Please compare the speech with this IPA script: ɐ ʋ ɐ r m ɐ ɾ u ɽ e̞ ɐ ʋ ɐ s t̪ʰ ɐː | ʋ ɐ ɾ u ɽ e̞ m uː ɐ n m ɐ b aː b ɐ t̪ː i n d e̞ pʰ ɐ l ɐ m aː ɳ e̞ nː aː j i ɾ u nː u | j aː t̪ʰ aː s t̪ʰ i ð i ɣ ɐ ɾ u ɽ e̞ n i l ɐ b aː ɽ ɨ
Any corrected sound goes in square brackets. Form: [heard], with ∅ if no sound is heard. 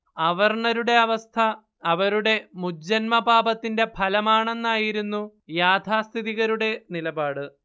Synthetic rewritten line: ɐ ʋ ɐ r [ɳ] ɐ ɾ u ɽ e̞ ɐ ʋ ɐ s t̪ʰ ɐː | ʋ ɐ ɾ u ɽ e̞ m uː ɐ n m ɐ b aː b ɐ t̪ː i n d e̞ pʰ ɐ l ɐ m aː ɳ e̞ nː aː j i ɾ u nː u | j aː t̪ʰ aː s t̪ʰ i ð i ɣ ɐ ɾ u ɽ e̞ n i l ɐ b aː ɽ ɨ